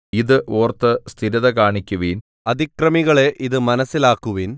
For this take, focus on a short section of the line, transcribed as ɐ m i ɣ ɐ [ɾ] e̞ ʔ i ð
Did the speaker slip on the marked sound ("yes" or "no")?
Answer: yes